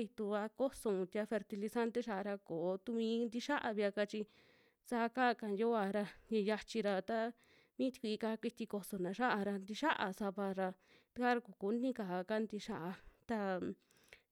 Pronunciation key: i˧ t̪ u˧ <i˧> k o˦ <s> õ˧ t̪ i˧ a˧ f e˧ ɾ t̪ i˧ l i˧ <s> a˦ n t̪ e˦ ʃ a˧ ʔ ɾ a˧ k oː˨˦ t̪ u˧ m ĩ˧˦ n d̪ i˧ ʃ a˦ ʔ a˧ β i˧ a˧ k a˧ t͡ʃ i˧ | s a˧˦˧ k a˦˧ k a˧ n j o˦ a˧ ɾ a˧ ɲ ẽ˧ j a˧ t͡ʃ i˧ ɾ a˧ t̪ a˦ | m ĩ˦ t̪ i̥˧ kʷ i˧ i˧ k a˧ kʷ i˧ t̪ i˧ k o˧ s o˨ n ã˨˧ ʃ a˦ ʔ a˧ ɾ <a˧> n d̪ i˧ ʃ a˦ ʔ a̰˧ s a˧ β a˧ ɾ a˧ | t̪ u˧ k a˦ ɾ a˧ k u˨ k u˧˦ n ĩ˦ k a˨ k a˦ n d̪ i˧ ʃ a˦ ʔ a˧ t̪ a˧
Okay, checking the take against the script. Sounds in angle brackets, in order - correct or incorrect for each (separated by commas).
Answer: incorrect, correct, correct, correct